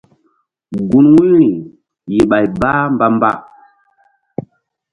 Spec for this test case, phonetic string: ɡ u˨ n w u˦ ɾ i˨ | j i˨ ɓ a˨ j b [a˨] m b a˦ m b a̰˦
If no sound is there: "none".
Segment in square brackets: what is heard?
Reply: a˦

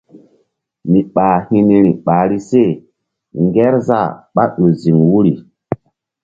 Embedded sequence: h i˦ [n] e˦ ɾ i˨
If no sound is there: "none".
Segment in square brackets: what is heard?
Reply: n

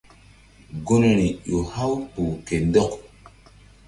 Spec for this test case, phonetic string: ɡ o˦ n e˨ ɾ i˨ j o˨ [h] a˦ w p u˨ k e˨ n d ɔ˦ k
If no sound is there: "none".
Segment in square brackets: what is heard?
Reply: h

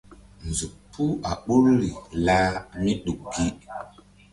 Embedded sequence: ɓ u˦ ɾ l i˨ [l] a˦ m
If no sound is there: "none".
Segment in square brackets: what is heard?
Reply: l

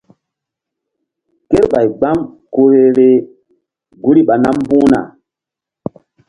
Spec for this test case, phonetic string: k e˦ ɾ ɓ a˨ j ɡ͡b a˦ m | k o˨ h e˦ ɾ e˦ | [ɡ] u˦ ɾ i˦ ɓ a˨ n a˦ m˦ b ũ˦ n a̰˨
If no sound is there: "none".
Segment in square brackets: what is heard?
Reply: ɡ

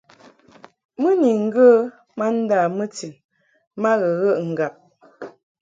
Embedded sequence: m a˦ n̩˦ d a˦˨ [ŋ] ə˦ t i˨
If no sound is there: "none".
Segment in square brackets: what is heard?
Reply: m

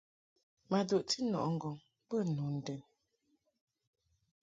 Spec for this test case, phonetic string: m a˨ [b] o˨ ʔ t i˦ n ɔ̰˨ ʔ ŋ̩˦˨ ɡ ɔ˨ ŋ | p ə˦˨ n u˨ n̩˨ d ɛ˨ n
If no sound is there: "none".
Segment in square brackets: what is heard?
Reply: d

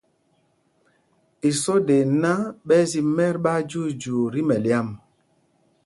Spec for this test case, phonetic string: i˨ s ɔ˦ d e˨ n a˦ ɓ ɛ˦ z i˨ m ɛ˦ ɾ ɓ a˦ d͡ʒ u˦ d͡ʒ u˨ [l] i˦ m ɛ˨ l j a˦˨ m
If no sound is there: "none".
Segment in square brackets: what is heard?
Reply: ɾ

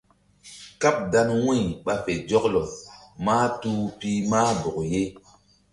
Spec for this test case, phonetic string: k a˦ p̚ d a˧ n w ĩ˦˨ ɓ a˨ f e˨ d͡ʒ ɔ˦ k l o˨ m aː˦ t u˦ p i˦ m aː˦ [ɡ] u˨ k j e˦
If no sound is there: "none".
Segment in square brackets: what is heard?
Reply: b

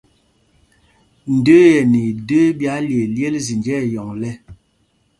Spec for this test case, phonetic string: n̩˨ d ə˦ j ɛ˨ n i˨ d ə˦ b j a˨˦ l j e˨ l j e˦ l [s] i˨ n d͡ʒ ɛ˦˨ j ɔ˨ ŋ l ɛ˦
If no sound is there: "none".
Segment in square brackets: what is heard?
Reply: z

